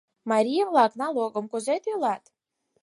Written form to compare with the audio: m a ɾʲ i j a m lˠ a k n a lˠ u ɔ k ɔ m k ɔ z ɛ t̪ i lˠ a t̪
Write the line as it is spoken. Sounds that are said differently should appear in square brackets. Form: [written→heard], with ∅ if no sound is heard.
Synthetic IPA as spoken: m a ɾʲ i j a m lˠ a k n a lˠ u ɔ [k→ɡ] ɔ m k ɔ z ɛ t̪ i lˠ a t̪

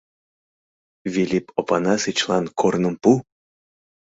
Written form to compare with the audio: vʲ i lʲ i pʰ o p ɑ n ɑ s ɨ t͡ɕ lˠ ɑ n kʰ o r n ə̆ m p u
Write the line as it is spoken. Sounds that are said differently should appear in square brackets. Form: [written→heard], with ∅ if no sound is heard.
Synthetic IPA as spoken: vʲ i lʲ i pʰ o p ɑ n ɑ s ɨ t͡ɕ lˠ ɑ n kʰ o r n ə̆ m p u

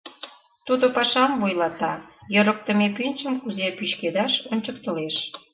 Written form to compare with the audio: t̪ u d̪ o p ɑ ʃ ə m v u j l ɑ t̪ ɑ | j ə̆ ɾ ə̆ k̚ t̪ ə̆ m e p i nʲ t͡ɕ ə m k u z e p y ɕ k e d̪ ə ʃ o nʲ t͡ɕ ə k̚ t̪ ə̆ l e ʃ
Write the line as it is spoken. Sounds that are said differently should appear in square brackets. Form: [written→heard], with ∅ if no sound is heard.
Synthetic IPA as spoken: t̪ u d̪ o p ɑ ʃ [ə→ɑ] m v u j l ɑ t̪ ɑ | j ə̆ ɾ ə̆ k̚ t̪ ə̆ m e p [i→y] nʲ t͡ɕ ə m k u z e p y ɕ k e d̪ [ə→ɑ] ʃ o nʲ t͡ɕ ə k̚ t̪ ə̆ l e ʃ

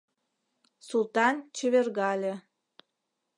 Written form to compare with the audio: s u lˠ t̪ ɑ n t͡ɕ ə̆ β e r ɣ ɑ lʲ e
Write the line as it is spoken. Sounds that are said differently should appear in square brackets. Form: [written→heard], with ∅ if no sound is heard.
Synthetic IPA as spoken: s u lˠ t̪ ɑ n t͡ɕ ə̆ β e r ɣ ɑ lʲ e

